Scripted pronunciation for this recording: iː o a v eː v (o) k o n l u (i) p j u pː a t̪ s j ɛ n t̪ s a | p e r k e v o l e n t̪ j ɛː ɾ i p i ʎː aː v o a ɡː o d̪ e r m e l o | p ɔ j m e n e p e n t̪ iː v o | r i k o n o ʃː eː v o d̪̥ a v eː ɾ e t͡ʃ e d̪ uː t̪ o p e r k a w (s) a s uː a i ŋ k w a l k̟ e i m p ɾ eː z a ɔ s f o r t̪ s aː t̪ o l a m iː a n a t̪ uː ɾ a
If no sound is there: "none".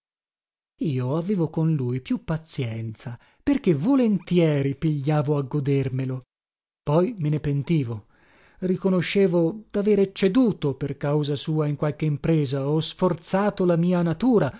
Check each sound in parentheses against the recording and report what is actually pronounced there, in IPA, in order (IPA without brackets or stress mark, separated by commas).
o, j, z